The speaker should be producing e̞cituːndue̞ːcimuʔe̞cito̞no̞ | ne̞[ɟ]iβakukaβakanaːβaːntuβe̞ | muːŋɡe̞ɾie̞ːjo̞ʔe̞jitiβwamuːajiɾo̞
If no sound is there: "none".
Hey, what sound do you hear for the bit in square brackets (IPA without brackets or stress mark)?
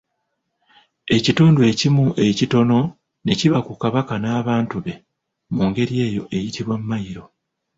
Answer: c